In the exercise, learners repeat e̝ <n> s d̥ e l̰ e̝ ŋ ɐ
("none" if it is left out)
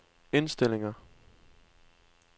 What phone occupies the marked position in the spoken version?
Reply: n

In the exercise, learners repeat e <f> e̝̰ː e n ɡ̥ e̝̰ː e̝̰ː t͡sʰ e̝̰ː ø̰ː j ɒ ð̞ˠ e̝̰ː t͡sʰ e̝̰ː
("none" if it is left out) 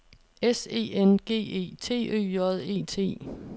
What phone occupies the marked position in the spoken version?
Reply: s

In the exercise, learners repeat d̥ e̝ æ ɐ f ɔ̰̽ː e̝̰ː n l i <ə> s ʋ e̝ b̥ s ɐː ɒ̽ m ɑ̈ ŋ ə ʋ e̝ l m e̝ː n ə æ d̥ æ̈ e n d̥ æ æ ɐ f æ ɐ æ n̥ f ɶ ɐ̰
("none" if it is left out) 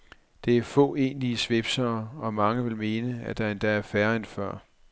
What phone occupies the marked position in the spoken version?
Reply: ə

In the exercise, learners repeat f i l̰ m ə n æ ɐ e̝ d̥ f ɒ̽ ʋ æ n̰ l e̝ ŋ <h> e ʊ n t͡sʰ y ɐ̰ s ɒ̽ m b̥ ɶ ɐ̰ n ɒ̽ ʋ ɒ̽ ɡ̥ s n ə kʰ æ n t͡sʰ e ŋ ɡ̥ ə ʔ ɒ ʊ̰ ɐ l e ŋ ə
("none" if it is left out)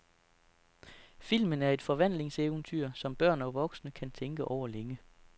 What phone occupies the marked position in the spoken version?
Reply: s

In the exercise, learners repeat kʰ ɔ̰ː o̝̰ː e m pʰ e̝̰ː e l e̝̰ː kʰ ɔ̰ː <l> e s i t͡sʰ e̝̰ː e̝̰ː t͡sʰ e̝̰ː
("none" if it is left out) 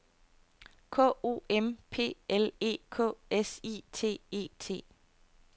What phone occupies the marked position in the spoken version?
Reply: none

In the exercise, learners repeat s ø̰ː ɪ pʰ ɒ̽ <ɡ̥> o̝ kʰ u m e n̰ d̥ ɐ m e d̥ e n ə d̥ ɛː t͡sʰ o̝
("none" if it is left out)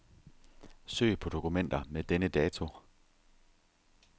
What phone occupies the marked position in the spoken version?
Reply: d̥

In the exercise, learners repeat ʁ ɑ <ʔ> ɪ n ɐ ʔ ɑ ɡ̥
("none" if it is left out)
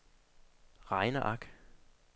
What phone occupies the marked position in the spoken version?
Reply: none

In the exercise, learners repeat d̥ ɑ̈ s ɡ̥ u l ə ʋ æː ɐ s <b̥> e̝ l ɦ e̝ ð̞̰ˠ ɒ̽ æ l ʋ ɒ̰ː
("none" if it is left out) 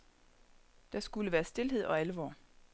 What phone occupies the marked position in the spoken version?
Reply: d̥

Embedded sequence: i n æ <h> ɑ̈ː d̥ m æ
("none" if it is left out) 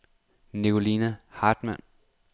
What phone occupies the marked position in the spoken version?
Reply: h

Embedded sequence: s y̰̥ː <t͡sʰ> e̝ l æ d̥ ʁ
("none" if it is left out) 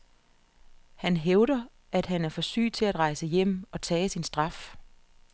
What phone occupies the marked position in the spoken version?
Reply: t͡sʰ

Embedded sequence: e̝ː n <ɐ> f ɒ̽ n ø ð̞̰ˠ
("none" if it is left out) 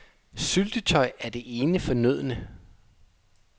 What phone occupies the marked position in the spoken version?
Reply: ə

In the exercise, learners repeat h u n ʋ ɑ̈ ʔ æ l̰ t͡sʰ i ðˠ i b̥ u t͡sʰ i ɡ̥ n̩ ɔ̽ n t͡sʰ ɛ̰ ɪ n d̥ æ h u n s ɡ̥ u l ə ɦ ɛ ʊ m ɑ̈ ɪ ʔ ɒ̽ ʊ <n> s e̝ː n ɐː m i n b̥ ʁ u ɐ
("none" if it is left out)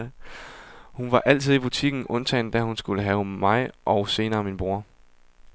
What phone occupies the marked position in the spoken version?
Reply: none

